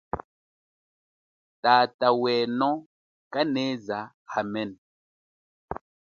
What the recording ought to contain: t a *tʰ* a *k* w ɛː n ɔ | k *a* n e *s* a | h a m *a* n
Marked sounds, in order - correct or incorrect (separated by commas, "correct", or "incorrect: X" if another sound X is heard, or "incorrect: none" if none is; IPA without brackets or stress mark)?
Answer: incorrect: t, incorrect: none, correct, incorrect: z, incorrect: ɛ